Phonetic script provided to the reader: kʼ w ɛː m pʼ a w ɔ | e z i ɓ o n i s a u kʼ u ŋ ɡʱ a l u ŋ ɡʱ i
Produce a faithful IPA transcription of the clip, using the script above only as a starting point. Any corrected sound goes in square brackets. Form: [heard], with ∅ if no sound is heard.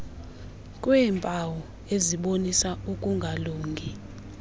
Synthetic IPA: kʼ w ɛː m pʼ a w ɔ | e z i ɓ o n i s a u kʼ u ŋ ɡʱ a l [uː] ŋ ɡʱ i